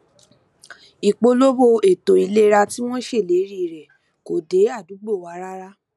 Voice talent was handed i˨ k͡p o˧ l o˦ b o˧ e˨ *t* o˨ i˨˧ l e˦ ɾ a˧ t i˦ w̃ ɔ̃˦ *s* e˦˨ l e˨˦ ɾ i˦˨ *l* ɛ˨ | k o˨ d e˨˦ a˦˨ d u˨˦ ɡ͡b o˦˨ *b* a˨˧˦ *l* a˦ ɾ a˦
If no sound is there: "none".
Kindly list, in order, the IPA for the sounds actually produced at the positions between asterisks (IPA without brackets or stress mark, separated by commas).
t, ʃ, ɾ, w, ɾ